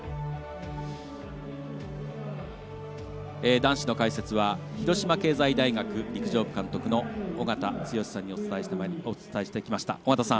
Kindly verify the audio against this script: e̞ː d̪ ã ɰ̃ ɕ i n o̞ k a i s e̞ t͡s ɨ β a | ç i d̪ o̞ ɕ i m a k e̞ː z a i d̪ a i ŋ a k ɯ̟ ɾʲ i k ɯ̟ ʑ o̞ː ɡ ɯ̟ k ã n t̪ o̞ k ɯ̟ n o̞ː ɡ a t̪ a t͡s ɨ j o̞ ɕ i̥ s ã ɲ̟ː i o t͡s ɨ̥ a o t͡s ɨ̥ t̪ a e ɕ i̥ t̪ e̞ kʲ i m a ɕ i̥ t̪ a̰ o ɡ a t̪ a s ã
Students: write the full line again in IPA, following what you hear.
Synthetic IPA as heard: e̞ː d̪ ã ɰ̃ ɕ i n o̞ k a i s e̞ t͡s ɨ β a | ç i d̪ o̞ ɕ i m a k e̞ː z a i d̪ a i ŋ a k ɯ̟ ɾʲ i k ɯ̟ ʑ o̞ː b ɯ̟ k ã n t̪ o̞ k ɯ̟ n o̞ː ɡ a t̪ a t͡s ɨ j o̞ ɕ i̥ s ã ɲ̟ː i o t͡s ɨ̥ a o t͡s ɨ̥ t̪ a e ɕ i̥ t̪ e̞ kʲ i m a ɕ i̥ t̪ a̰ o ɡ a t̪ a s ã

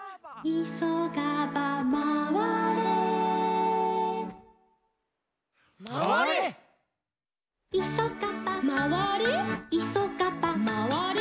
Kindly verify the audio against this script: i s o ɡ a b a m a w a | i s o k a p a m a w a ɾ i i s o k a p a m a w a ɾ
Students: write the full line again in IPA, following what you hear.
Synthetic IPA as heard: i s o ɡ a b a m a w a | i s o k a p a m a w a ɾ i i s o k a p a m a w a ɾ

